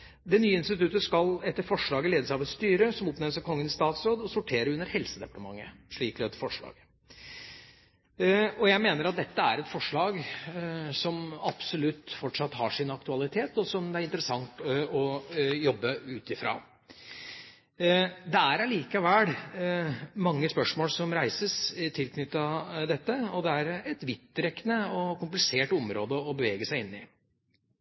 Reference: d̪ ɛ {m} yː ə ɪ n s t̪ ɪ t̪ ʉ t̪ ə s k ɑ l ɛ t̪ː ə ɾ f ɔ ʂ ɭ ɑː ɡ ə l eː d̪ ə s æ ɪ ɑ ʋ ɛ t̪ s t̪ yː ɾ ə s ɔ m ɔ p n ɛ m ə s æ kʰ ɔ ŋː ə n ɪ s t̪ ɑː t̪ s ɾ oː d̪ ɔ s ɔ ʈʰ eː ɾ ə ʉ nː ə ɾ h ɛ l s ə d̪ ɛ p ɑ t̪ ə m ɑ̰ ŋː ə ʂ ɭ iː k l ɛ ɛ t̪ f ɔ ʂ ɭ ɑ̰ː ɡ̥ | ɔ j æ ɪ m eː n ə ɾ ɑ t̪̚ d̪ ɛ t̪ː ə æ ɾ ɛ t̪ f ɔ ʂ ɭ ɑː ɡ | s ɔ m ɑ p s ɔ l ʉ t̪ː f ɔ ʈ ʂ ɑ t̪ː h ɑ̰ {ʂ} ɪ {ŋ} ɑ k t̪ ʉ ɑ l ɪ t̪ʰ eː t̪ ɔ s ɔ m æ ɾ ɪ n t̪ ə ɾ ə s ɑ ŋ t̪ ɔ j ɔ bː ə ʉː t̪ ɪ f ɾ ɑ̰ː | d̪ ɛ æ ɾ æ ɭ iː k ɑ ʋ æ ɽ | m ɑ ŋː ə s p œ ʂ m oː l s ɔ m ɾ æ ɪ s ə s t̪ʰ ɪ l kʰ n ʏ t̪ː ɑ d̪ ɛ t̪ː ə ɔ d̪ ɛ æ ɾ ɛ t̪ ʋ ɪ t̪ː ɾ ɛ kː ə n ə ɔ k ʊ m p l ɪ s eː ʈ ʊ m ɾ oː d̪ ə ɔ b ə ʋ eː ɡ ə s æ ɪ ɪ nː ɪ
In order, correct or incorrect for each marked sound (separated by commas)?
incorrect, correct, incorrect